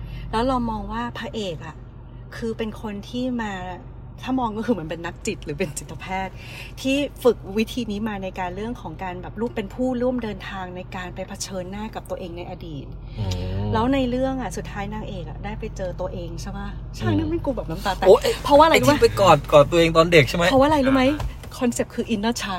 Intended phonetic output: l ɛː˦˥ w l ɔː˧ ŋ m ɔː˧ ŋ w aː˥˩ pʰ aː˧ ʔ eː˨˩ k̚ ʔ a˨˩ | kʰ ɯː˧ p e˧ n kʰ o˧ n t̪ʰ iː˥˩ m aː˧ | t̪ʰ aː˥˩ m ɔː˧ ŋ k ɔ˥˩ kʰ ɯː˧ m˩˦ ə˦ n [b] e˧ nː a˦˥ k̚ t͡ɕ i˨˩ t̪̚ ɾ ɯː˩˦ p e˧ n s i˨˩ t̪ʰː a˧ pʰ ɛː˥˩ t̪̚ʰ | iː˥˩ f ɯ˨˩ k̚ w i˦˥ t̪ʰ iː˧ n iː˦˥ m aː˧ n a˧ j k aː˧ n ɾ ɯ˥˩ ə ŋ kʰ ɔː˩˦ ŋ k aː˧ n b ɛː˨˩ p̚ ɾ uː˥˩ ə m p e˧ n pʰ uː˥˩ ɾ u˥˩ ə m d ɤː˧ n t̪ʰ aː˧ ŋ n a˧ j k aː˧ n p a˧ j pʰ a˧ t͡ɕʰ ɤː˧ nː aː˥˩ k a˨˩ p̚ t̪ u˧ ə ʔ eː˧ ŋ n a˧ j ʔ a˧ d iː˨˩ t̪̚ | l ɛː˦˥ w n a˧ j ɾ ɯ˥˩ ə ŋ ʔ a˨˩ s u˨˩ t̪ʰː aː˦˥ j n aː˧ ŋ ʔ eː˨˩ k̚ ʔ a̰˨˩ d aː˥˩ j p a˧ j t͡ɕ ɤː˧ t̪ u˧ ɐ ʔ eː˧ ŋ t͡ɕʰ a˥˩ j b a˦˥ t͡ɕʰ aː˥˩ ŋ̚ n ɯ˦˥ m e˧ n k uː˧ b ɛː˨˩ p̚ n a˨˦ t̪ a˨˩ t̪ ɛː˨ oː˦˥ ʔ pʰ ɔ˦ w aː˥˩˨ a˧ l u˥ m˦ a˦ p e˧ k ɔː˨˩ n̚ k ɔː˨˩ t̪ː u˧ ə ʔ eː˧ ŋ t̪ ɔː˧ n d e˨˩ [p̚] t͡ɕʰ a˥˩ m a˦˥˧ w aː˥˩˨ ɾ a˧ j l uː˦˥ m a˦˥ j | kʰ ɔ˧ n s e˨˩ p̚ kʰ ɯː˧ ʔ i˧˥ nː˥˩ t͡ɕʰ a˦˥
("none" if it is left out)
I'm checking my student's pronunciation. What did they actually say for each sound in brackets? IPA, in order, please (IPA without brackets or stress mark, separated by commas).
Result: p, k̚